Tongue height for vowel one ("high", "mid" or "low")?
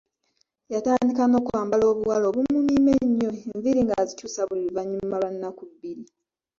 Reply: low